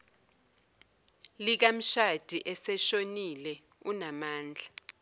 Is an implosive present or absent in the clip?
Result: absent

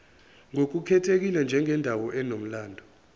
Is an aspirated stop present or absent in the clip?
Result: present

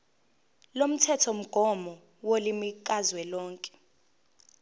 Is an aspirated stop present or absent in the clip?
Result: present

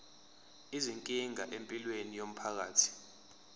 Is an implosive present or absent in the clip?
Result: absent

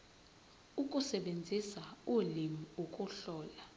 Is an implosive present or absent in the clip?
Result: present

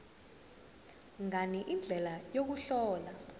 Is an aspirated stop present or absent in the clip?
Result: absent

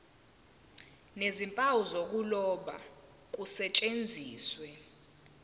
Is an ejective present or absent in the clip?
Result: present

